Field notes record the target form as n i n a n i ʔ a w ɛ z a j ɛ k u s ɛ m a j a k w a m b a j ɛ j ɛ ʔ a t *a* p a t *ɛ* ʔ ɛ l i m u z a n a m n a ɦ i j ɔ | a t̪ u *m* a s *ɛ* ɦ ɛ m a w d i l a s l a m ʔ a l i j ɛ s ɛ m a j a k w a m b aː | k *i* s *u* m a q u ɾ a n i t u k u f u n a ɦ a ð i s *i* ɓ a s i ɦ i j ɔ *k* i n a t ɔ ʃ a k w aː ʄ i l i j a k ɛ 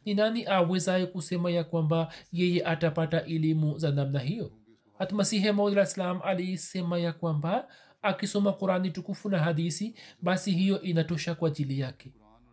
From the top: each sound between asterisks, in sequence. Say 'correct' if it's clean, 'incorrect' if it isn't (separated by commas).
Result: correct, incorrect, correct, incorrect, correct, incorrect, correct, incorrect